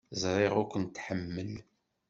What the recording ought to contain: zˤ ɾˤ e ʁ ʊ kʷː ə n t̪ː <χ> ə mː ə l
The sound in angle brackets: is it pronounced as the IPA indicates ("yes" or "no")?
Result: no